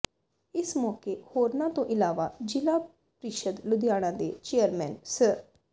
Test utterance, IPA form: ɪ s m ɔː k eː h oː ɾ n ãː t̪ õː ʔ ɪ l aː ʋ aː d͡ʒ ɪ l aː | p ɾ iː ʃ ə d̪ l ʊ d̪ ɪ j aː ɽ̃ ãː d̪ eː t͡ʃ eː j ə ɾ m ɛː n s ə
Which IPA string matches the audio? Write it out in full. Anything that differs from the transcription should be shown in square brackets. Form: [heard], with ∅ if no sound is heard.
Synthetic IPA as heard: ɪ s m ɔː k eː h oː ɾ n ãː t̪ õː ʔ ɪ l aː ʋ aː d͡ʒ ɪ l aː | p ɾ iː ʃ ə d̪ l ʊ d̪ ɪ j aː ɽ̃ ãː d̪ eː t͡ʃ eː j ə ɾ m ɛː n s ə